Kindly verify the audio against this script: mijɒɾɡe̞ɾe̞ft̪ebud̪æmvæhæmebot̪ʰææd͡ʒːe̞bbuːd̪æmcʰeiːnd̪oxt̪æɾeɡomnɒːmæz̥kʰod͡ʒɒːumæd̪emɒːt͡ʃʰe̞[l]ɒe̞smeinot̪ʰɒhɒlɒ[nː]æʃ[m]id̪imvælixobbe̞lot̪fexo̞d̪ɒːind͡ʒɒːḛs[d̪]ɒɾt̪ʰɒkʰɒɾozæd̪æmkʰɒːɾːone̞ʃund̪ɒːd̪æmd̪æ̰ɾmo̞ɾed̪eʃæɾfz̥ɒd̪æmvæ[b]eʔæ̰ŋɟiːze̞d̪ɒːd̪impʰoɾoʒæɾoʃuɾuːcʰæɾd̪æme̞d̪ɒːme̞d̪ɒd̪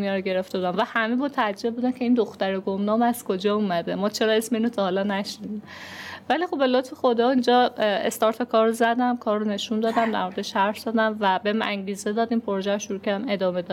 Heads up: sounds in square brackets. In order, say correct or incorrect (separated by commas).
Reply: incorrect, incorrect, incorrect, incorrect, correct